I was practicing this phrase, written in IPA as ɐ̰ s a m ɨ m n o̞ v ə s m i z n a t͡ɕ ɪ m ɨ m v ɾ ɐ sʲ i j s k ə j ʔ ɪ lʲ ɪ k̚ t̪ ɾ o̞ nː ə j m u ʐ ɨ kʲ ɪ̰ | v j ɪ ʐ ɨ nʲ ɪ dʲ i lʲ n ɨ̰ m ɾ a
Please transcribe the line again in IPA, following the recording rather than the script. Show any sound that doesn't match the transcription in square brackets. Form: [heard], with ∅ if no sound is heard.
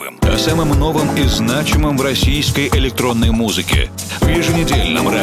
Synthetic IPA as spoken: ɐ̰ s a m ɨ m n o̞ v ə [∅] m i z n a t͡ɕ ɪ m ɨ m v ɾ ɐ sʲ i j s k ə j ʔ ɪ lʲ ɪ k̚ t̪ ɾ o̞ nː ə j m u [z] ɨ kʲ ɪ̰ | v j ɪ ʐ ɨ nʲ ɪ dʲ [e] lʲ n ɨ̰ m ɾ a